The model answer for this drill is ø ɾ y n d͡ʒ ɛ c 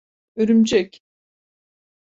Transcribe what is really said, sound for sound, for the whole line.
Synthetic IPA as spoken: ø ɾ y m d͡ʒ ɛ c